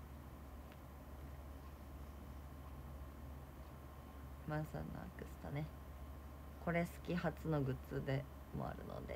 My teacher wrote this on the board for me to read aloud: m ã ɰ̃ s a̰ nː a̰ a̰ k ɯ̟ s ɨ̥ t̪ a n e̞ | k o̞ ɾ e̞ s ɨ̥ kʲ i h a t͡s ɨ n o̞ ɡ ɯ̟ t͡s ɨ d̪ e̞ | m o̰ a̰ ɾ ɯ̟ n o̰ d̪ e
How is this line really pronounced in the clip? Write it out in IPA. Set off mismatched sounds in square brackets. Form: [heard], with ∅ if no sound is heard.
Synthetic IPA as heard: m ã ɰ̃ s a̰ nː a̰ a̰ k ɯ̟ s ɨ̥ t̪ a n e̞ | k o̞ ɾ e̞ s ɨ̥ kʲ i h a t͡s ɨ n o̞ ɡ ɯ̟ t͡s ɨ d̪ e̞ | m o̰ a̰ ɾ ɯ̟ n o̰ d̪ e

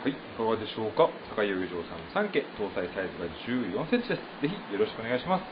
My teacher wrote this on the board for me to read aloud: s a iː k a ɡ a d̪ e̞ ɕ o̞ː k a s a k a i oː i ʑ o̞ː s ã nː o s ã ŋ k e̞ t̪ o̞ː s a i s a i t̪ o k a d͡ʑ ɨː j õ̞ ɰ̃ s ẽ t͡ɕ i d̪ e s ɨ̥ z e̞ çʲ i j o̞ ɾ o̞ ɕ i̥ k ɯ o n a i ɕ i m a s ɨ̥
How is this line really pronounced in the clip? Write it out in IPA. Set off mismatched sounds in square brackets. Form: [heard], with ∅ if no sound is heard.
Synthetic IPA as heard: [h] a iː k a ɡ a d̪ e̞ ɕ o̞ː k a s a k a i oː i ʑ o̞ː s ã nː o s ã ŋ k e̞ t̪ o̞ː s a i s a i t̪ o [ɡ] a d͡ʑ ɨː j õ̞ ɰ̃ s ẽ t͡ɕ i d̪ e s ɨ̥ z e̞ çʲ i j o̞ ɾ o̞ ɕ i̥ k ɯ o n a i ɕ i m a s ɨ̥

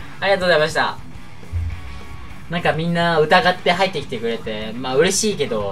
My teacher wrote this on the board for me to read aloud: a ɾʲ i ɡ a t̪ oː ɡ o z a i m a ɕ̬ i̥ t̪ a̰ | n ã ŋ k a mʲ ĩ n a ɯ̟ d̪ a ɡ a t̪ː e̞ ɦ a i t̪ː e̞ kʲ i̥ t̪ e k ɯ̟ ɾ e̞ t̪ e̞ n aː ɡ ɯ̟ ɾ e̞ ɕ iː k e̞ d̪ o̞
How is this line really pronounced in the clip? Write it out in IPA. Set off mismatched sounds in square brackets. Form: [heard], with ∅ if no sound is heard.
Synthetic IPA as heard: a ɾʲ i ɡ a t̪ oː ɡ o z a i m a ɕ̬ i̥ t̪ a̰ | n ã ŋ k a mʲ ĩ [nː] a ɯ̟ [t̪] a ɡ a t̪ː e̞ ɦ a i t̪ː e̞ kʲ i̥ t̪ e k ɯ̟ ɾ e̞ t̪ e̞ [m] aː [∅] ɯ̟ ɾ e̞ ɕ iː k e̞ d̪ o̞

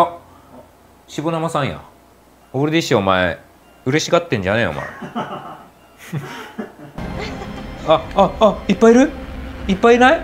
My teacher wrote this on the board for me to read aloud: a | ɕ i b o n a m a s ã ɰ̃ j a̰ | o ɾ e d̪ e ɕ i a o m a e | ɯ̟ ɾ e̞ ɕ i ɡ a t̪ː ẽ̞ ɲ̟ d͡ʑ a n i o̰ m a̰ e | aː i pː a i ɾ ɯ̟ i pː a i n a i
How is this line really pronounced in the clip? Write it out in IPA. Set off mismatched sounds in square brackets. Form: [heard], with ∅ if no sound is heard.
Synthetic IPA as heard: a | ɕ i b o n a m a s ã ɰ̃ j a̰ | o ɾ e d̪ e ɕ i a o m a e | ɯ̟ ɾ e̞ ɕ i ɡ a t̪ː ẽ̞ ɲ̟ d͡ʑ a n [e] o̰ m a̰ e | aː i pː a i ɾ ɯ̟ i pː a i n a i

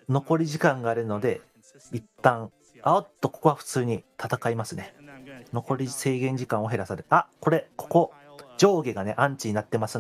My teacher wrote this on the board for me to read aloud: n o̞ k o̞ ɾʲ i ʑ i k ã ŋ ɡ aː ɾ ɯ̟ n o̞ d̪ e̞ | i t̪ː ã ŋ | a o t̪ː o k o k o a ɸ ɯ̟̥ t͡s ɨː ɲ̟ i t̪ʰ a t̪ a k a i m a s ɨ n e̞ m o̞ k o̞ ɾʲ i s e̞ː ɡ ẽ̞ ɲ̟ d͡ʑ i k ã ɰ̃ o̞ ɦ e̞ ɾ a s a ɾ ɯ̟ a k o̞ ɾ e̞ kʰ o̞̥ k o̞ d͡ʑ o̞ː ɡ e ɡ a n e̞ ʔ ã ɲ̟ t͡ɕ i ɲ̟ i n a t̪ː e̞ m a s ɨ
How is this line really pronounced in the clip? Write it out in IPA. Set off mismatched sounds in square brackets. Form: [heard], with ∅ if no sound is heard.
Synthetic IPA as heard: n o̞ k o̞ ɾʲ i ʑ i k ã ŋ ɡ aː ɾ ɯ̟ n o̞ d̪ e̞ | i t̪ː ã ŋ | a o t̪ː o k o k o a ɸ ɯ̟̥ t͡s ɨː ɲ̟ i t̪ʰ a t̪ a k a i m a s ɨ n e̞ [n] o̞ k o̞ ɾʲ i s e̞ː ɡ ẽ̞ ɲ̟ d͡ʑ i k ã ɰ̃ o̞ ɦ e̞ ɾ a s a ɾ ɯ̟ a k o̞ ɾ e̞ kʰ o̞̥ k o̞ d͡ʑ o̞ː ɡ e ɡ a n e̞ ʔ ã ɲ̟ t͡ɕ i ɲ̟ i n a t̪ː e̞ m a s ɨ

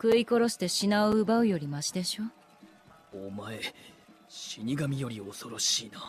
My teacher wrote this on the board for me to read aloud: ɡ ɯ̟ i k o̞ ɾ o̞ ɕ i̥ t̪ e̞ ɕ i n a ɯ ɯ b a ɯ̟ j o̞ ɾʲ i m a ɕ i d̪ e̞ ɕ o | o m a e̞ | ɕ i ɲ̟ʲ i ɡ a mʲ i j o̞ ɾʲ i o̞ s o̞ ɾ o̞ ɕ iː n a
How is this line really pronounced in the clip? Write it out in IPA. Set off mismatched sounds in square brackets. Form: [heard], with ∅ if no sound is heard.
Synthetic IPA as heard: [k] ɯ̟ i k o̞ ɾ o̞ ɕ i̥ t̪ e̞ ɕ i n a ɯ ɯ b a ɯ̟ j o̞ ɾʲ i m a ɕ i d̪ e̞ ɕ o | o m a e̞ | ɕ i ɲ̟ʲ i ɡ a mʲ i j o̞ ɾʲ i o̞ s o̞ ɾ o̞ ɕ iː n a

